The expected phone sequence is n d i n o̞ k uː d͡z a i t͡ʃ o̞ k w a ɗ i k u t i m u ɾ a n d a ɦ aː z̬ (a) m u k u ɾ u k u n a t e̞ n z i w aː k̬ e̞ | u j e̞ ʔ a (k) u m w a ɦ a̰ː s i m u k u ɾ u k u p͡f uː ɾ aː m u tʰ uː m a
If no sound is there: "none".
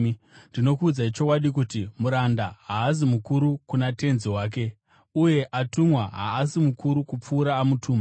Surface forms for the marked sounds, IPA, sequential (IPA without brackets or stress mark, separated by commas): i, t